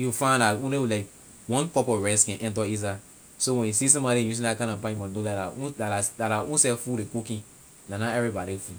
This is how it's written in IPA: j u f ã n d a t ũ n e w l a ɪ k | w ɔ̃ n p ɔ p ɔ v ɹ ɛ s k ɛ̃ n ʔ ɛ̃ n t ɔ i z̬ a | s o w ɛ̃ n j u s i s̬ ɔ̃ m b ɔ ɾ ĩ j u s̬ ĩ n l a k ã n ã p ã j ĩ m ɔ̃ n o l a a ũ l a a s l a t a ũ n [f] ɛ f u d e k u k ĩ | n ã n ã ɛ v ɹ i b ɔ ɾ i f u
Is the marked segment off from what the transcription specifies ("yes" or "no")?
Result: yes